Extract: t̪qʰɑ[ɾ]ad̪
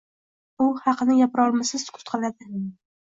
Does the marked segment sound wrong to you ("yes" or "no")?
yes